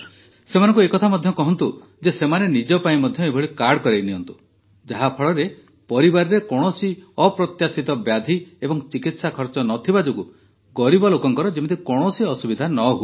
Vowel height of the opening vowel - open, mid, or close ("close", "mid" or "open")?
mid